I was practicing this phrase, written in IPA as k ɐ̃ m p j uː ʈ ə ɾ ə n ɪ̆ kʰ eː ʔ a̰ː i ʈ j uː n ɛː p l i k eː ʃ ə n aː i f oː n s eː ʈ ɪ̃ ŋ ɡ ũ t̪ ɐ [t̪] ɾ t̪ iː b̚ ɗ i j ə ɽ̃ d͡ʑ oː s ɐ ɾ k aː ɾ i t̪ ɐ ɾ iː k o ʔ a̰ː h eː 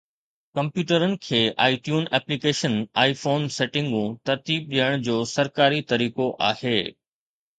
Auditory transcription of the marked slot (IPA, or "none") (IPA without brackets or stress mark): none